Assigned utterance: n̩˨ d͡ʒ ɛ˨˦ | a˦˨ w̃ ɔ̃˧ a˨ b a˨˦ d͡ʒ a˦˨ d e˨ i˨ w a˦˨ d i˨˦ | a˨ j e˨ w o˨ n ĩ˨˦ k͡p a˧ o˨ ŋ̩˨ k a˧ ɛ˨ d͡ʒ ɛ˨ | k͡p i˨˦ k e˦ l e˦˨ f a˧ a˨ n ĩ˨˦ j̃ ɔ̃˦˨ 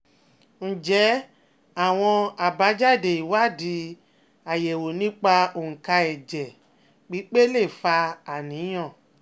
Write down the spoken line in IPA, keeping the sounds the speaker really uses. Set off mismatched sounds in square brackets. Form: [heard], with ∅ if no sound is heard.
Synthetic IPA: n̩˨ d͡ʒ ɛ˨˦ | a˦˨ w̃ ɔ̃˧ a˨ b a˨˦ d͡ʒ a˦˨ d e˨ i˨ w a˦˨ d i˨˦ | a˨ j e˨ w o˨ n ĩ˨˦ k͡p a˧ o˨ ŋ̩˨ k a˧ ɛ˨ d͡ʒ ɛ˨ | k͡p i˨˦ [k͡p] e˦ l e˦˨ f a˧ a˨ n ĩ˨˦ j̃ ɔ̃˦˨